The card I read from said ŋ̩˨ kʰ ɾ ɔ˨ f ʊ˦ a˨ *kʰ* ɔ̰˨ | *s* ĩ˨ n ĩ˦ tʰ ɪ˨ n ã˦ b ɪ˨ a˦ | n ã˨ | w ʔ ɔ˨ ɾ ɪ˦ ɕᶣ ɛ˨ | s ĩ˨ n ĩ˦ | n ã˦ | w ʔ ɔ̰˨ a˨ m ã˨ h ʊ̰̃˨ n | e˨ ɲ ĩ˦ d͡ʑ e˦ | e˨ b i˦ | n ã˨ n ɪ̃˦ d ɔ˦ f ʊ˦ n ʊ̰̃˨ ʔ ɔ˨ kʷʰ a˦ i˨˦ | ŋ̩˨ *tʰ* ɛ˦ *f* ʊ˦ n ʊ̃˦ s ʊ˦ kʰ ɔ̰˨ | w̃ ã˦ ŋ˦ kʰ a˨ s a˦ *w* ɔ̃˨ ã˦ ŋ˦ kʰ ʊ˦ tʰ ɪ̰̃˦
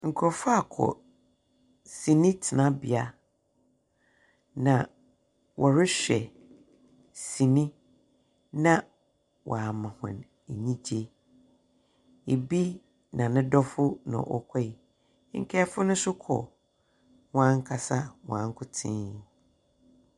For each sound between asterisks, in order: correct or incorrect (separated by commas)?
correct, correct, incorrect, correct, correct